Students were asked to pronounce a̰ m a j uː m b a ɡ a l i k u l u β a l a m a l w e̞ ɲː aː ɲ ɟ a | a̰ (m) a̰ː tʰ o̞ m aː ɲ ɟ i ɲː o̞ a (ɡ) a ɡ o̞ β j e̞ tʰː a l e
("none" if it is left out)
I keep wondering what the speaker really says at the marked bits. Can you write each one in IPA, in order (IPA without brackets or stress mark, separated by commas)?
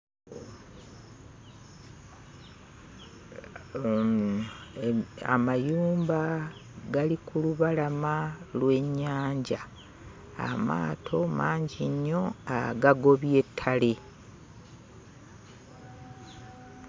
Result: m, ɡ